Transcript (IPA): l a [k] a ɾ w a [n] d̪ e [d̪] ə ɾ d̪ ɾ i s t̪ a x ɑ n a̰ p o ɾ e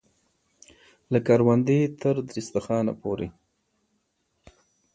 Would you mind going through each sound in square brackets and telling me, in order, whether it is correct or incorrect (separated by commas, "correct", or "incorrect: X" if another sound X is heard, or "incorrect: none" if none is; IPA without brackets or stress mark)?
correct, correct, incorrect: t̪